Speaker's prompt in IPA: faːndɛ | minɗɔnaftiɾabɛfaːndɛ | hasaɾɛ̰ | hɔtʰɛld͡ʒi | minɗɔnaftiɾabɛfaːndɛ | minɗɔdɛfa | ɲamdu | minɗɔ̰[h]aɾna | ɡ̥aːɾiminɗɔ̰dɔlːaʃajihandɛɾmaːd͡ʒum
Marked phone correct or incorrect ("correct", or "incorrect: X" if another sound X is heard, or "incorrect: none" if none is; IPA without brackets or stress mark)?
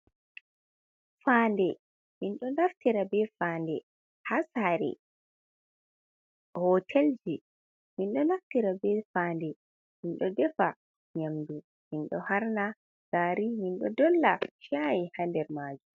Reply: correct